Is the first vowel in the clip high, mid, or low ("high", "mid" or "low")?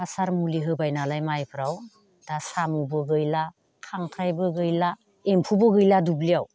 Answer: low